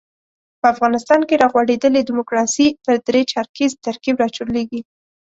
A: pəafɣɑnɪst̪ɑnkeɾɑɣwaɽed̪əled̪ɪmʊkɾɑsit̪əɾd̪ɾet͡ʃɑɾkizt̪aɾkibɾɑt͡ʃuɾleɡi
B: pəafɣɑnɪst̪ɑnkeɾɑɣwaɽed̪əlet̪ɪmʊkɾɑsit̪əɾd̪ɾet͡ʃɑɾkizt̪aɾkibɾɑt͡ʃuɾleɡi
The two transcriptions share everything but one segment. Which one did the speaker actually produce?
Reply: A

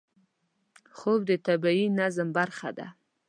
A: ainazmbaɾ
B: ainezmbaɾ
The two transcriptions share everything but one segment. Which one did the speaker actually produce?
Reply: A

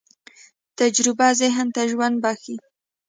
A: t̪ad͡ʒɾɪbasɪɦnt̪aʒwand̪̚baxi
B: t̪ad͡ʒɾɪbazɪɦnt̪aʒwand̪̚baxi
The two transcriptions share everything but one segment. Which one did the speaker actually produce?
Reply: B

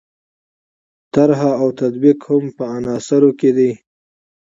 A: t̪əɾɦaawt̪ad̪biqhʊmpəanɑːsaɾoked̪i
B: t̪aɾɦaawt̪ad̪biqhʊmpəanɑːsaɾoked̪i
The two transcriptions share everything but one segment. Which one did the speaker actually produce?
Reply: B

